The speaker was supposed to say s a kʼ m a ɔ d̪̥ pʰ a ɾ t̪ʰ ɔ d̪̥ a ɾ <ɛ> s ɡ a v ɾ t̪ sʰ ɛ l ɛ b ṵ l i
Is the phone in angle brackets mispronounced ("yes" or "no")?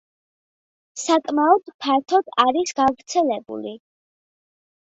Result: yes